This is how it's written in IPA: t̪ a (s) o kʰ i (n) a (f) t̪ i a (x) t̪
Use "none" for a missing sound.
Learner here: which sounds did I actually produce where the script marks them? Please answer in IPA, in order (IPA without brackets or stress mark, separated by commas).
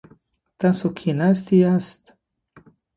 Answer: s, n, s, s